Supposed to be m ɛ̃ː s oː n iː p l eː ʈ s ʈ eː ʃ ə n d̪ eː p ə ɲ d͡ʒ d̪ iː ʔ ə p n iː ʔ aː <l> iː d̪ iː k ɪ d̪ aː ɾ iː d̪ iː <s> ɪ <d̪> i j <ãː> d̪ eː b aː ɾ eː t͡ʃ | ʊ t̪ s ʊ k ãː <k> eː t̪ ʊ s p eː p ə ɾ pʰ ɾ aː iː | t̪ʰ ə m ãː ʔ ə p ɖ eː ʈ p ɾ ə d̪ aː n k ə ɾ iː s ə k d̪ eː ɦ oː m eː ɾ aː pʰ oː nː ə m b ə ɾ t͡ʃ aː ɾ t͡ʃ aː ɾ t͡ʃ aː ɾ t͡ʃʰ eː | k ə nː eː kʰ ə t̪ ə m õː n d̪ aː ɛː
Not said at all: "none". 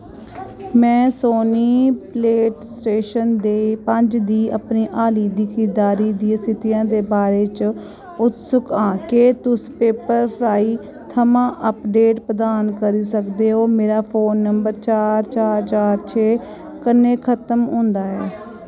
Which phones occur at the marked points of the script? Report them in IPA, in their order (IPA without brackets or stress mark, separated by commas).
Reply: l, s, t̪, ãː, k